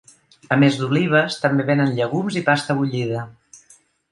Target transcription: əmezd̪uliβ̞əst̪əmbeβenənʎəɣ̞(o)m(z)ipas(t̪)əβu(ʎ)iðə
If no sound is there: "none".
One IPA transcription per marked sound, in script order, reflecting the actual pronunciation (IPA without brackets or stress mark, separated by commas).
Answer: u, z, t̪, ʎ